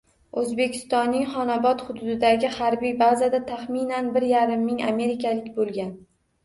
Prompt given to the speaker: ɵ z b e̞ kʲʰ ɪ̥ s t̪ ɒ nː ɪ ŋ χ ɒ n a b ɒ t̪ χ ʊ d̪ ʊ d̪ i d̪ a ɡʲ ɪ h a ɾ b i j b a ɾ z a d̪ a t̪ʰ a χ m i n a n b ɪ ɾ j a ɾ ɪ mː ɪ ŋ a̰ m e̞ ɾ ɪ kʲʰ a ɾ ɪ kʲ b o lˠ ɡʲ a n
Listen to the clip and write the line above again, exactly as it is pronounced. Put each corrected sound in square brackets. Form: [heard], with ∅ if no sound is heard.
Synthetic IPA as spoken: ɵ z b e̞ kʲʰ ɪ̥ s t̪ ɒ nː ɪ ŋ χ ɒ n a b ɒ t̪ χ ʊ d̪ ʊ d̪ [ɪ] d̪ a ɡʲ ɪ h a ɾ b i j b a [∅] z a d̪ a t̪ʰ a χ m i n a n b ɪ ɾ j a ɾ ɪ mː ɪ ŋ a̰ m e̞ ɾ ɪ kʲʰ a [l] ɪ kʲ b o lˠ ɡʲ a n